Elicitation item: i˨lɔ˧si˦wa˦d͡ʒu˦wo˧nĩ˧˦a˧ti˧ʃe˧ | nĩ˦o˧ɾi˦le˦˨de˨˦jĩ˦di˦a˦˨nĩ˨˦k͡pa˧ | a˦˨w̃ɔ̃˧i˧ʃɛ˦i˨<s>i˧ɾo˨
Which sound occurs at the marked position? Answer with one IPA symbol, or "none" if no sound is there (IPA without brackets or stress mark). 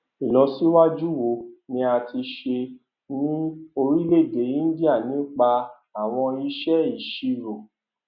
ʃ